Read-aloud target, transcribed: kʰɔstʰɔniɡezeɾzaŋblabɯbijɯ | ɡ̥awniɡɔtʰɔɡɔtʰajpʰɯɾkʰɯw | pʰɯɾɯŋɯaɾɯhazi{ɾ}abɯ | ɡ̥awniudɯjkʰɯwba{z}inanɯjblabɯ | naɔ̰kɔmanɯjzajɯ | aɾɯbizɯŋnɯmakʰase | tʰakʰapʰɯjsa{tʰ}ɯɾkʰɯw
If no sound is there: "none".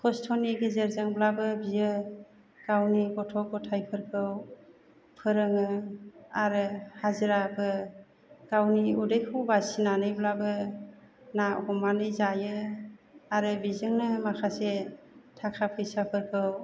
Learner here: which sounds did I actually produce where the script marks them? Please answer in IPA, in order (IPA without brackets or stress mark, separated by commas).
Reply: ɾ, s, pʰ